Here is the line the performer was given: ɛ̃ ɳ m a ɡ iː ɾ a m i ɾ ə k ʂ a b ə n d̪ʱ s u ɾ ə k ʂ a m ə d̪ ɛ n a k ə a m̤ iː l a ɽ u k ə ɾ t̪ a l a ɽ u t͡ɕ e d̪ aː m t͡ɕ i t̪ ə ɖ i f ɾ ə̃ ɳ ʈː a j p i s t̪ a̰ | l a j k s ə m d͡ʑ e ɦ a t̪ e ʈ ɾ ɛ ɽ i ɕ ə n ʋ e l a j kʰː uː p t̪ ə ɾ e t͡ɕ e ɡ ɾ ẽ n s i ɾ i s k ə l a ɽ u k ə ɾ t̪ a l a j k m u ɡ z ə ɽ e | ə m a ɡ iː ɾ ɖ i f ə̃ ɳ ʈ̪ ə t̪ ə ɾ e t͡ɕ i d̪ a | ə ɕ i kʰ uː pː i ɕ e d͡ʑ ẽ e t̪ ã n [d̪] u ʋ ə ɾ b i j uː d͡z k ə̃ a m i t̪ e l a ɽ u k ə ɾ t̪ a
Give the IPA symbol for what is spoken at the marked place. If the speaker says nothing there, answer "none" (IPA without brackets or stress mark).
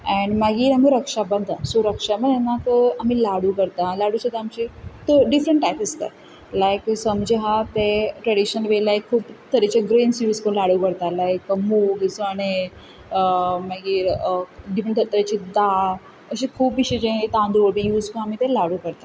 d̪